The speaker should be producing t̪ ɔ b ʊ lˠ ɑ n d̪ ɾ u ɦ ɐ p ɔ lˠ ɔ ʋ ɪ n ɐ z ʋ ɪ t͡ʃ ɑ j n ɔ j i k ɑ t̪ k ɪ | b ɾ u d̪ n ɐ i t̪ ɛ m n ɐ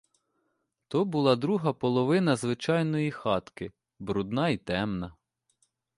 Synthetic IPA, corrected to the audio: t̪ ɔ b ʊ lˠ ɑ d̪ ɾ u ɦ ɐ p ɔ lˠ ɔ ʋ ɪ n ɐ z ʋ ɪ t͡ʃ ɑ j n ɔ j i x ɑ t̪ k ɪ | b ɾ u d̪ n ɑ i t̪ ɛ m n ɐ